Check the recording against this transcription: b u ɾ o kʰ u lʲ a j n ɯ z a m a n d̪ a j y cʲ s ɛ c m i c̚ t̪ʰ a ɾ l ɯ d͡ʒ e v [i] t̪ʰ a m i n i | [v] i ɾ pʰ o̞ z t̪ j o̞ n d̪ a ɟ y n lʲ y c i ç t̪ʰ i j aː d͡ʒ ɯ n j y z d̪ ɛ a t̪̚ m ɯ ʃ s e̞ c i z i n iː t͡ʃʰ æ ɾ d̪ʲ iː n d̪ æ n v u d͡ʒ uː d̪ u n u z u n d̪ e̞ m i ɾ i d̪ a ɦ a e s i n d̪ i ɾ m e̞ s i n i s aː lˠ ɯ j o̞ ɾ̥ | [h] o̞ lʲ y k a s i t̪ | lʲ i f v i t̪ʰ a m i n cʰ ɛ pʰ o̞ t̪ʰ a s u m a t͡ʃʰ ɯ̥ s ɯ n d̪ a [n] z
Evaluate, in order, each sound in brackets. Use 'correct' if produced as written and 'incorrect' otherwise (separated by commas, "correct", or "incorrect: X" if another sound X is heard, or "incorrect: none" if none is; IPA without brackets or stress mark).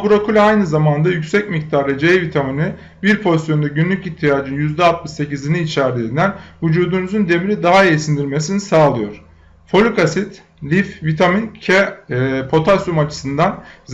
correct, incorrect: b, incorrect: f, correct